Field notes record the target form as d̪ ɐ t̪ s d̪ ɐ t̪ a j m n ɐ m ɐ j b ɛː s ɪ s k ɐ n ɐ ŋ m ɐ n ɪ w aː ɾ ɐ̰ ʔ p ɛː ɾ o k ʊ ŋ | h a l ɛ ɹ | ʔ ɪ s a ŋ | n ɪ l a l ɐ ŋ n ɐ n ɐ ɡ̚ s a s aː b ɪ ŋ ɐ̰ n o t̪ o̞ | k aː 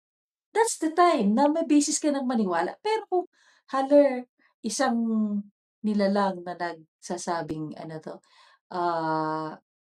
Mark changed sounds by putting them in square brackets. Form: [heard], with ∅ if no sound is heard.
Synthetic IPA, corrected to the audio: d̪ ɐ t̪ s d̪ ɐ t̪ a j m n ɐ m ɐ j b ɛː s ɪ s k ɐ n ɐ ŋ m ɐ n ɪ w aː [l] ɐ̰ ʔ p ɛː ɾ o k ʊ ŋ | h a l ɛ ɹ | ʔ ɪ s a ŋ | n ɪ l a l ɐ ŋ n ɐ n ɐ ɡ̚ s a s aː b ɪ ŋ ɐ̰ n o t̪ o̞ | [ʔ] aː